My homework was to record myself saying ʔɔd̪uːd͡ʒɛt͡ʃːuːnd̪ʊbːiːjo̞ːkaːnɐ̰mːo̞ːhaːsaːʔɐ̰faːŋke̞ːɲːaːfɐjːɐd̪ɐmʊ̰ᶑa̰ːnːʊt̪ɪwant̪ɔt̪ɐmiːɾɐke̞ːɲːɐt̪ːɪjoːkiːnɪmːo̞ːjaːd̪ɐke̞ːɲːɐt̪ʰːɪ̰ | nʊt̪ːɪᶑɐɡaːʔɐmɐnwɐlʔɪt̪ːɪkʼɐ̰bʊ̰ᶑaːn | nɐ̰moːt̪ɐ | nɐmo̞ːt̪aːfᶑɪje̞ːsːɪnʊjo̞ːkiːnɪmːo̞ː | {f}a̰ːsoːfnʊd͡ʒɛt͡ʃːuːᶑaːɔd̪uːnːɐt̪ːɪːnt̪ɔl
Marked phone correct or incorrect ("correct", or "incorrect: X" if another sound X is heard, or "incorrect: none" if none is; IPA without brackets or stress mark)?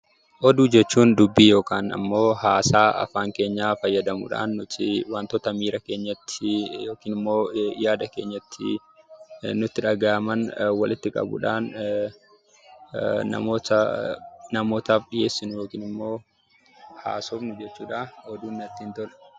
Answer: incorrect: h